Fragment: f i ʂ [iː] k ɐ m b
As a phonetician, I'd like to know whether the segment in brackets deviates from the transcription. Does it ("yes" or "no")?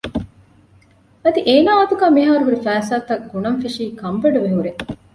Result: no